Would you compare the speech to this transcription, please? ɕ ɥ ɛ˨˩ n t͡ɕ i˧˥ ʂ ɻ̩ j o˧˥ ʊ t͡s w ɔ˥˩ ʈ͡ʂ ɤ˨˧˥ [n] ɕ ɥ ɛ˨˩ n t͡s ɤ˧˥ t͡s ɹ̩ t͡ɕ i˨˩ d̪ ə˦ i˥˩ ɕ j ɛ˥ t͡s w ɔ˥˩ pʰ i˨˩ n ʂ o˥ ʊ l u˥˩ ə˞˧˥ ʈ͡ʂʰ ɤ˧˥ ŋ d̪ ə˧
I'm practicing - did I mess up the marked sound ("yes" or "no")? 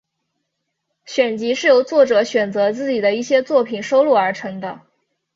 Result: yes